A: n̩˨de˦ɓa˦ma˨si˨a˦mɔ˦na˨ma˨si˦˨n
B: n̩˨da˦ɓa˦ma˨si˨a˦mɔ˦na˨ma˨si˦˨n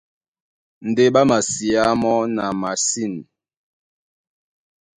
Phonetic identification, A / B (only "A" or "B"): A